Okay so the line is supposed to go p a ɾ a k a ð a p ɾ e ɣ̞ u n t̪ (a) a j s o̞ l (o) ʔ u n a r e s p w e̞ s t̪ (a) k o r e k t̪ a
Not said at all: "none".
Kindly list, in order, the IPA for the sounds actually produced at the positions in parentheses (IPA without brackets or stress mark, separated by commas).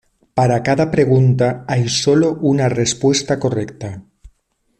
a, o, a